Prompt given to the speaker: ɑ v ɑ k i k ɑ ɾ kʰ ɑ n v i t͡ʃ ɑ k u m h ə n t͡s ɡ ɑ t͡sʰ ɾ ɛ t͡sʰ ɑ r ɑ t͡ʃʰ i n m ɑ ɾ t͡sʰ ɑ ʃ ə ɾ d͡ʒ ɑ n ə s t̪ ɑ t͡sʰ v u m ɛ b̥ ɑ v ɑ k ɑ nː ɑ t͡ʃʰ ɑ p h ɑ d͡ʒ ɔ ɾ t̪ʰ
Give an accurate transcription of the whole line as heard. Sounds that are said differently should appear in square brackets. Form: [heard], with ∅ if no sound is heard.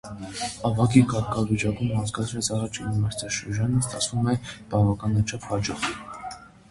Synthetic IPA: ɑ v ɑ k i k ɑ ɾ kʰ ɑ [∅] v i t͡ʃ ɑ k u m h [ɑ] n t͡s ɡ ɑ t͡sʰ ɾ ɛ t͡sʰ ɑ r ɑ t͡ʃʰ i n m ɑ ɾ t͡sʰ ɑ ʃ ə ɾ d͡ʒ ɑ n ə s t̪ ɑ t͡sʰ v u m ɛ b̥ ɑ v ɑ k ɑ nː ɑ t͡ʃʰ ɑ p h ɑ d͡ʒ ɔ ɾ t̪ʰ